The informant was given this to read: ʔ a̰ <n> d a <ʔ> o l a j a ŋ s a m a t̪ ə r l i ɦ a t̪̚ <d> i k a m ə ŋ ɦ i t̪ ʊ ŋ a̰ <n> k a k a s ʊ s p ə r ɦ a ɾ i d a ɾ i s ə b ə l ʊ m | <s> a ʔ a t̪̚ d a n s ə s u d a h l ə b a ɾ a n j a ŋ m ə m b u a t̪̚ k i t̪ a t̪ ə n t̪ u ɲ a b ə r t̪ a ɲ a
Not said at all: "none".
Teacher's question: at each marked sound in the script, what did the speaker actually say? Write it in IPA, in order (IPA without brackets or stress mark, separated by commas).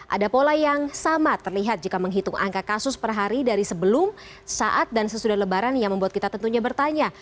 none, p, d͡ʒ, ŋ, s